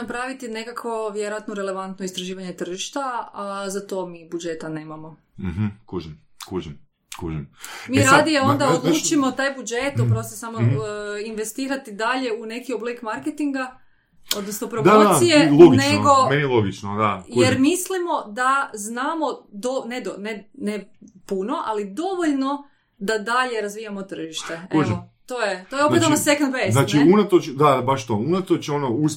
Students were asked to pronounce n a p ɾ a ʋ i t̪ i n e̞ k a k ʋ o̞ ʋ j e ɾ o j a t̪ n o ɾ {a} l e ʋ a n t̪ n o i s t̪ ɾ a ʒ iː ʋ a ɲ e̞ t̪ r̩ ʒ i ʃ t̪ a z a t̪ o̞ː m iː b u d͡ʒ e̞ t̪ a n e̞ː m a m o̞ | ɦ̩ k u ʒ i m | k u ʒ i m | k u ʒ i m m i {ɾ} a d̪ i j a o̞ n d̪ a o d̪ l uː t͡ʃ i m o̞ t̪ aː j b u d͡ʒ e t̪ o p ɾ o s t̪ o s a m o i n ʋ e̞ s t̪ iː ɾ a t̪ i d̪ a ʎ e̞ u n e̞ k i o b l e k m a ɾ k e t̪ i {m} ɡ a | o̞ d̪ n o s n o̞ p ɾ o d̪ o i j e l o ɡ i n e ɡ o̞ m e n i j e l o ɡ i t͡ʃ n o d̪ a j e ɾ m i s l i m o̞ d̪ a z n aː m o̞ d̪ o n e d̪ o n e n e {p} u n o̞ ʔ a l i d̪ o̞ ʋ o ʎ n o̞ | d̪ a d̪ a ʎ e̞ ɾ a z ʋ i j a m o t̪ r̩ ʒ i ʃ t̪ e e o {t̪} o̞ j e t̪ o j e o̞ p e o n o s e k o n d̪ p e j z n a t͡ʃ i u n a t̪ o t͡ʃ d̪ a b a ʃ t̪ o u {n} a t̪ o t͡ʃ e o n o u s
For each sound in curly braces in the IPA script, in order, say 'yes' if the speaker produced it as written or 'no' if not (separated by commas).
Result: no, yes, no, yes, yes, yes